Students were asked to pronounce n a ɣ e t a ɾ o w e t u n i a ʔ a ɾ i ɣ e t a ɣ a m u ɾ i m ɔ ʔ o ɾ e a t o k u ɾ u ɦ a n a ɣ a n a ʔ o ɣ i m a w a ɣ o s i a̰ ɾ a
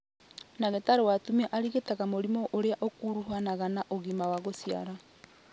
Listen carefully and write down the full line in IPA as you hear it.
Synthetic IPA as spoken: n a ɣ e t a ɾ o w a t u m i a ʔ a ɾ i ɣ e t a ɣ a m o ɾ i m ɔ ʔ o ɾ e a ʔ o k u ɾ u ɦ a n a ɣ a n a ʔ o ɣ i m a w a ɣ o s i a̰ ɾ a

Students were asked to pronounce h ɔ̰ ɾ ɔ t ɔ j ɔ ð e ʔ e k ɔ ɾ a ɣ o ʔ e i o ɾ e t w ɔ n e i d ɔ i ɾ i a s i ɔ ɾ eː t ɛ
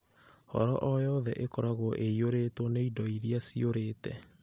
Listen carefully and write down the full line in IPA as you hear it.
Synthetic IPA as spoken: h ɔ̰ ɾ ɔ ʔ ɔ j ɔ ð ɛ ʔ e k ɔ ɾ a ɣ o ʔ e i o ɾ e t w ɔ n e i d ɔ i ɾ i a s i o ɾ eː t ɛ

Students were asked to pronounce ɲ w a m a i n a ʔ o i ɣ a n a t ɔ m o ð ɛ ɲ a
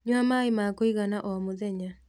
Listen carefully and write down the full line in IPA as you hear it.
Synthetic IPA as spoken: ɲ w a m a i m a k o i ɣ a n a ʔ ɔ m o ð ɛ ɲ a

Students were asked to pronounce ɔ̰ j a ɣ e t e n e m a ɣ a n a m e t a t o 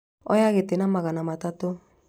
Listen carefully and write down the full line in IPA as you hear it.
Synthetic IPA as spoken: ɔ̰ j a ɣ e t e n a m a ɣ a n a m a t a t o

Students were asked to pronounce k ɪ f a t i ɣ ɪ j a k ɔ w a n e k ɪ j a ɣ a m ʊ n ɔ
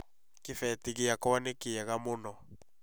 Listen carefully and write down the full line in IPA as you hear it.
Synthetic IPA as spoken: k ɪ f ɛ t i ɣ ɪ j a k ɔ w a n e k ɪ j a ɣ a m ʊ n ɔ

